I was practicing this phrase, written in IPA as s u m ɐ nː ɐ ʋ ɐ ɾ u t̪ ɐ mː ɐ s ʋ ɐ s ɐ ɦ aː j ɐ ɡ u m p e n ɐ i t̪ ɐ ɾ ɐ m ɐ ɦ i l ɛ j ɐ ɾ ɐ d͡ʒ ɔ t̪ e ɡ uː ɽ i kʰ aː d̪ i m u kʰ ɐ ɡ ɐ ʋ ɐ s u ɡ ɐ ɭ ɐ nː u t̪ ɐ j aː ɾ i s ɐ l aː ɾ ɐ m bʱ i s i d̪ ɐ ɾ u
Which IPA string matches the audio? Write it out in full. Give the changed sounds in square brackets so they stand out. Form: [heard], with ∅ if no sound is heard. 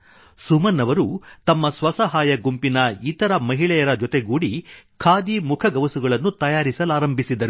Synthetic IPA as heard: s u m ɐ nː ɐ ʋ ɐ ɾ u t̪ ɐ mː ɐ s ʋ ɐ s ɐ ɦ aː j ɐ ɡ u m p [i] n ɐ i t̪ ɐ ɾ ɐ m ɐ ɦ i [ɭ] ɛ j ɐ ɾ ɐ d͡ʒ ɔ t̪ e ɡ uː ɽ i kʰ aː d̪ i m u kʰ ɐ ɡ ɐ ʋ ɐ s u ɡ ɐ ɭ ɐ nː u t̪ ɐ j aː ɾ i s ɐ l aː ɾ ɐ m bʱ i s i d̪ ɐ ɾ u